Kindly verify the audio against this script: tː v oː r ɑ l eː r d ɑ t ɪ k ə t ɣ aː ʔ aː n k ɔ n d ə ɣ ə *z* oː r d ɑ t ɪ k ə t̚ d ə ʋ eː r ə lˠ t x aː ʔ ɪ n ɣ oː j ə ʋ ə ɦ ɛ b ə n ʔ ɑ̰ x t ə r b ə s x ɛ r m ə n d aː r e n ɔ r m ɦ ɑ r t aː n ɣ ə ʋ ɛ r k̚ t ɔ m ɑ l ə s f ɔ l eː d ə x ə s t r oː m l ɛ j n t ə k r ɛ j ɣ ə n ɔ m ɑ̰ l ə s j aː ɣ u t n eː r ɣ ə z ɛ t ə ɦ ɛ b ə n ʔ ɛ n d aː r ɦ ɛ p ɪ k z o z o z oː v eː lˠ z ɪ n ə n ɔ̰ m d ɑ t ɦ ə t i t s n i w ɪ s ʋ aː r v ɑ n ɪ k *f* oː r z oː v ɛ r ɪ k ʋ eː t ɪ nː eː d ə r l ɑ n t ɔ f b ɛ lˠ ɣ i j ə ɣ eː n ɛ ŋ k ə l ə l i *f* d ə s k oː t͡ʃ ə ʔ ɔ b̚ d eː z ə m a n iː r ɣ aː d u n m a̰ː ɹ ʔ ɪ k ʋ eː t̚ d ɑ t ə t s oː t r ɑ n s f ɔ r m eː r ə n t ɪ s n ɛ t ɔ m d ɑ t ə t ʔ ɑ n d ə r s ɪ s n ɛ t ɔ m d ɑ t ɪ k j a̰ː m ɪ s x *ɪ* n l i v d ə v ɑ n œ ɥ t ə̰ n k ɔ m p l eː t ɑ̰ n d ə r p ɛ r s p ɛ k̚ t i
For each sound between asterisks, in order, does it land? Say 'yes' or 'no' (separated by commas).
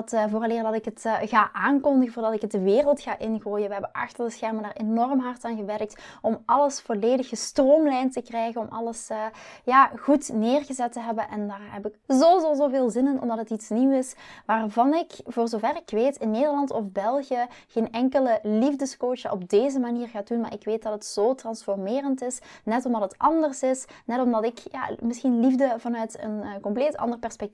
no, no, no, no